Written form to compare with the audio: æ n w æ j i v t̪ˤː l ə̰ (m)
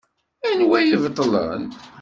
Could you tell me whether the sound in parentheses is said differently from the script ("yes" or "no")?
yes